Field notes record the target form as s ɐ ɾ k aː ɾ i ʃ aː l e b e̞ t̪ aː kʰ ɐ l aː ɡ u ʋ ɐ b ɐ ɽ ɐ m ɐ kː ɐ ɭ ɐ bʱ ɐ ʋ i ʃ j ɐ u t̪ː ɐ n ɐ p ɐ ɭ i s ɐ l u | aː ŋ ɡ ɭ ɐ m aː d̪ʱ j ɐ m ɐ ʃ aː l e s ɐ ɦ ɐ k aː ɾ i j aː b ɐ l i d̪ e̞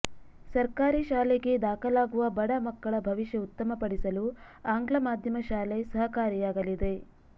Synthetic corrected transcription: s ɐ ɾ k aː ɾ i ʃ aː l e ɡ e̞ d̪ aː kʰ ɐ l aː ɡ u ʋ ɐ b ɐ ɽ ɐ m ɐ kː ɐ ɭ ɐ bʱ ɐ ʋ i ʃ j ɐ u t̪ː ɐ m ɐ p ɐ ɽ i s ɐ l u | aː ŋ ɡ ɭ ɐ m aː d̪ʱ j ɐ m ɐ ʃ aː l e s ɐ ɦ ɐ k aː ɾ i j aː ɡ ɐ l i d̪ e̞